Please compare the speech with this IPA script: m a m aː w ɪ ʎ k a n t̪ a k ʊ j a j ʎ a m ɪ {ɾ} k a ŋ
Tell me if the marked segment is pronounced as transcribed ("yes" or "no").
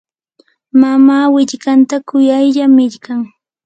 no